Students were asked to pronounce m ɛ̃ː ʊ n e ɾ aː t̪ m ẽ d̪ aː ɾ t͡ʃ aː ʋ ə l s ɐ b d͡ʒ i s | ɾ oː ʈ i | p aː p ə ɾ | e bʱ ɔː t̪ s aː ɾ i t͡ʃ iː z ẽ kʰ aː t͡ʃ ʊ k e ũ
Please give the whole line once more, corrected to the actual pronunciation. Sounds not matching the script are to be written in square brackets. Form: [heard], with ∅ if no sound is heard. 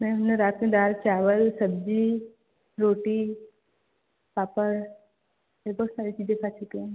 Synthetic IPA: m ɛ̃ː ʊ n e ɾ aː t̪ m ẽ d̪ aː ɾ t͡ʃ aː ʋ ə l s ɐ b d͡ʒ i [∅] | ɾ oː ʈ i | p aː p ə ɾ | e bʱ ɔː t̪ s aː ɾ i t͡ʃ iː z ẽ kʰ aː t͡ʃ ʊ k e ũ